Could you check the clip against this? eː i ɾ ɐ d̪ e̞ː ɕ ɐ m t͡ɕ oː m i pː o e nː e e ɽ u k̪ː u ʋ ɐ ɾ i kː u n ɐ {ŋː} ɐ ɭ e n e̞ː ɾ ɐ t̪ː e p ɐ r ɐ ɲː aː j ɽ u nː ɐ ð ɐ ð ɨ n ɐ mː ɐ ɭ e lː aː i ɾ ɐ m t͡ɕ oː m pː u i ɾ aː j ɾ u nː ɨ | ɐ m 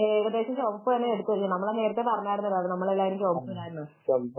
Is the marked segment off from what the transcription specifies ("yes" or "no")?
yes